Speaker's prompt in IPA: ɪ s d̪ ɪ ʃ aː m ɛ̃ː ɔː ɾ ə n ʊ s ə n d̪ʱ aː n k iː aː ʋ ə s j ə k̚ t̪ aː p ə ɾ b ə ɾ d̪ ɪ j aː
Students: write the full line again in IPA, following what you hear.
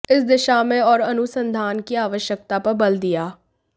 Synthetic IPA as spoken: ɪ s d̪ ɪ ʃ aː m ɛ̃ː ɔː ɾ ə n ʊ s ə n d̪ʱ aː n k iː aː ʋ ə ʃ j ə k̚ t̪ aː p ə ɾ b ə l d̪ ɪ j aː